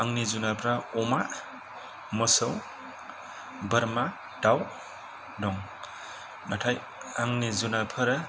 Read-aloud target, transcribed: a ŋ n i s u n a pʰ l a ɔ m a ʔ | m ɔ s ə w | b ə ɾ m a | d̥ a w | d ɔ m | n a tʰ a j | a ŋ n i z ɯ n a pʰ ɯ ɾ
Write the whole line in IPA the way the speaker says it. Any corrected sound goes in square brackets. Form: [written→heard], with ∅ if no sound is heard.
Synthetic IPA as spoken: a ŋ n i [s→z] u n a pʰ [l→ɾ] a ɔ m a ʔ | m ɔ s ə w | b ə ɾ m a | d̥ a w | d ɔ [m→ŋ] | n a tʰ a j | a ŋ n i z [ɯ→u] n a pʰ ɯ ɾ